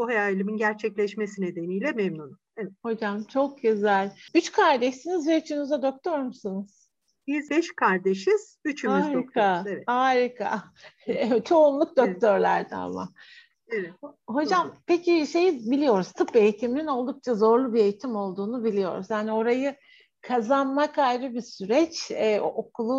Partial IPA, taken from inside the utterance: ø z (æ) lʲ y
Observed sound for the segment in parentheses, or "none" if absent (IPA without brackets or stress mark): æ